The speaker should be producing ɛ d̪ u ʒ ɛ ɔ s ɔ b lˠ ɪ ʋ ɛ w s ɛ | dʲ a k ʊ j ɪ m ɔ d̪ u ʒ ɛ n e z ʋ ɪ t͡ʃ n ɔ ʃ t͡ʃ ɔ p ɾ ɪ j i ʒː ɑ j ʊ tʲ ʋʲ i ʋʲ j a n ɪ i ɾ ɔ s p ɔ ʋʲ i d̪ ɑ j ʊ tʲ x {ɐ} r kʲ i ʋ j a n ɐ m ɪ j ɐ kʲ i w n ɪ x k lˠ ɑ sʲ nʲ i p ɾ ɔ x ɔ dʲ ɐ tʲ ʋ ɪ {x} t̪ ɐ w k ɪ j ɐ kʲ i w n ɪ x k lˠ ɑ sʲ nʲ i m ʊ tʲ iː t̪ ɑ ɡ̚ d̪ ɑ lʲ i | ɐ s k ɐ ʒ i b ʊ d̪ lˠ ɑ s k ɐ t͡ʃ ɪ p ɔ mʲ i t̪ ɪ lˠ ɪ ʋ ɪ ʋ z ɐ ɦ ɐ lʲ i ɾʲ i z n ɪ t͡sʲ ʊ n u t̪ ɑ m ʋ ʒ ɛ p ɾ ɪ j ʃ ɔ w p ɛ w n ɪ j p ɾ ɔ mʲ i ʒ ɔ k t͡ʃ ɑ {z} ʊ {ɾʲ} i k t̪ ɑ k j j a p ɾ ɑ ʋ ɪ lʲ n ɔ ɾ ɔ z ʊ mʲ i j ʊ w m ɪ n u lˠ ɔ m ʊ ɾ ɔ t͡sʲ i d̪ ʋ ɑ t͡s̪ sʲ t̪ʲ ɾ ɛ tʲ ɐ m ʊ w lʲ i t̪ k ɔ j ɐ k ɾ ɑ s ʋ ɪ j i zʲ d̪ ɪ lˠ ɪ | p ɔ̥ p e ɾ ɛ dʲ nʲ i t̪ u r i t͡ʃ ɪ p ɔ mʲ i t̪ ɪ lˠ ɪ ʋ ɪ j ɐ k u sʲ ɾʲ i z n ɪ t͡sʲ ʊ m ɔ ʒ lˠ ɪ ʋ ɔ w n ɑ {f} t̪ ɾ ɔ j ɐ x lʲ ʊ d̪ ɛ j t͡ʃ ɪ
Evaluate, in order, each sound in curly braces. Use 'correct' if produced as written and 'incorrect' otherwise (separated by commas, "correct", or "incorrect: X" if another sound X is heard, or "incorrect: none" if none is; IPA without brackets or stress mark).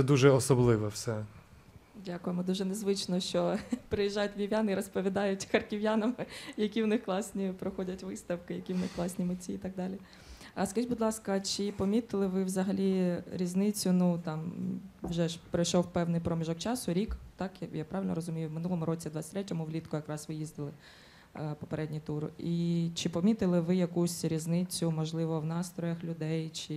correct, incorrect: s, incorrect: s, correct, incorrect: s